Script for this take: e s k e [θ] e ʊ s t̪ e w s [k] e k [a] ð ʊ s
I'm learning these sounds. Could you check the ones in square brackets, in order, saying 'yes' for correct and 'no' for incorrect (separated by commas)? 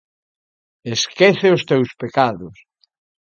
yes, no, yes